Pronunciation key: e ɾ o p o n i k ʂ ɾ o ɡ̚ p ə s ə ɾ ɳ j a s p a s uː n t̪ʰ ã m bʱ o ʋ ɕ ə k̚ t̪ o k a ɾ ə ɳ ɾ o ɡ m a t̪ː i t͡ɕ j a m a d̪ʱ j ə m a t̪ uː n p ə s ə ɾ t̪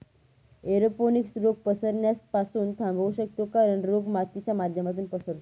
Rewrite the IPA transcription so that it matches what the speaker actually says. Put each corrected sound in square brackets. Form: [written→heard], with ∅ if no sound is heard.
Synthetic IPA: e ɾ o p o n i k [ʂ→s] ɾ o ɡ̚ p ə s ə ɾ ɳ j a s p a s uː n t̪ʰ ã m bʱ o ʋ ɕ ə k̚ t̪ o k a ɾ ə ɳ ɾ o ɡ m a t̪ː i t͡ɕ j a m a d̪ʱ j ə m a t̪ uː n p ə s ə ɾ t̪